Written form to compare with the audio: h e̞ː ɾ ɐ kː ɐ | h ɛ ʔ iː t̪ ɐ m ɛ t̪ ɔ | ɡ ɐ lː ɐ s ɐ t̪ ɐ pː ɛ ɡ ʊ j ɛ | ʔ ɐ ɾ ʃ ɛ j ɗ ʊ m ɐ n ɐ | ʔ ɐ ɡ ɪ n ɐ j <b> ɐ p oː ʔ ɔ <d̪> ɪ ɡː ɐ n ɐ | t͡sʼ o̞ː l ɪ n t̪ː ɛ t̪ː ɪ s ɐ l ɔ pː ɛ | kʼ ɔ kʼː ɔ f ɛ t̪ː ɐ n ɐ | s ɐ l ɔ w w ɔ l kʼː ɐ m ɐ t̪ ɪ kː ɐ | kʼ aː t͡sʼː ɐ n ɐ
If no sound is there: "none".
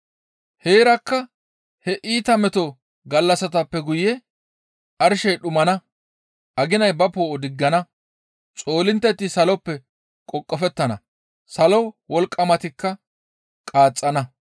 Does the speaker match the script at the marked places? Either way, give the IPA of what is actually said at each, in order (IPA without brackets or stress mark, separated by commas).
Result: b, d̪